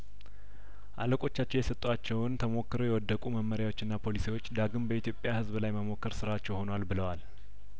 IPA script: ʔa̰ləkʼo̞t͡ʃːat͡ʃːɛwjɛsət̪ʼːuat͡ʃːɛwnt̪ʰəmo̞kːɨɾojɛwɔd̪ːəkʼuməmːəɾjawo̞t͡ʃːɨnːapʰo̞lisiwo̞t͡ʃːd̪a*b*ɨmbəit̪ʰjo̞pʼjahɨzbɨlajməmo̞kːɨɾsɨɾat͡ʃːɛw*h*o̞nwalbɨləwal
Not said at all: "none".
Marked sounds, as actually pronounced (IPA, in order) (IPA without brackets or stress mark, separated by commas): ɡ, h